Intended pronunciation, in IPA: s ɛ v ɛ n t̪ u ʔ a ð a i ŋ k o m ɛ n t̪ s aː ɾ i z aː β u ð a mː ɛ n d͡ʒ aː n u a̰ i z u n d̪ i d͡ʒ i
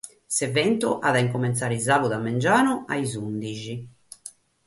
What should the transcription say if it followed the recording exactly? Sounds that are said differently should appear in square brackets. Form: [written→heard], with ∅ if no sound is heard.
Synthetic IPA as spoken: s ɛ v ɛ n t̪ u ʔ a ð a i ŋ k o m ɛ n t̪ s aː ɾ i z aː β u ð a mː ɛ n d͡ʒ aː n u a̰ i z u n d̪ i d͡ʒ i